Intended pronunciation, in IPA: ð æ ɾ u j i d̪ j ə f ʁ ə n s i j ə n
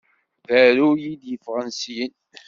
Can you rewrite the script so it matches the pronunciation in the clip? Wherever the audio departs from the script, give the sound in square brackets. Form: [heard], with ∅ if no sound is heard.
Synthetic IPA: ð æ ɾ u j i d̪ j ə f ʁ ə n s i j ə n